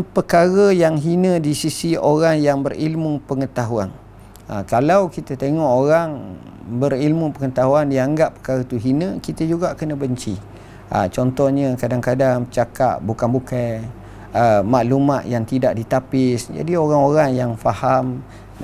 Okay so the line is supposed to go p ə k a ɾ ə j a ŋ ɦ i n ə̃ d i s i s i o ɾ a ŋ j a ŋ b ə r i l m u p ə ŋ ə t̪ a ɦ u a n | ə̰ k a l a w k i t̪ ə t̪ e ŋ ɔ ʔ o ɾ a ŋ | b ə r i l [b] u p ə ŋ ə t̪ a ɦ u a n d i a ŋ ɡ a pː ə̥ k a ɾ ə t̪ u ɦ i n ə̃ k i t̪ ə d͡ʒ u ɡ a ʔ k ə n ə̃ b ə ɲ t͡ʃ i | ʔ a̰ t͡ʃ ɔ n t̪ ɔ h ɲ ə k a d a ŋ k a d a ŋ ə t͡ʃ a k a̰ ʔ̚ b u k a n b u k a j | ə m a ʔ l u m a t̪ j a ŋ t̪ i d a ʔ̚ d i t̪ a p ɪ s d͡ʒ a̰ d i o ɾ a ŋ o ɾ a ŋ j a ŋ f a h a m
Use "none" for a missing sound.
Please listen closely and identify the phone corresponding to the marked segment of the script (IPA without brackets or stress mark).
m